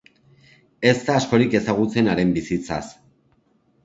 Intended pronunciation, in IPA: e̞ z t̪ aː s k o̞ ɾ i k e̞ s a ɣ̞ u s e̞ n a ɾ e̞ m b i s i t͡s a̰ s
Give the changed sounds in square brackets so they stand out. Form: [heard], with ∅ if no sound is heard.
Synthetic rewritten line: e̞ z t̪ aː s k o̞ ɾ i k e̞ s a ɣ̞ u [t͡s] e̞ n a ɾ e̞ m b i s i t͡s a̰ s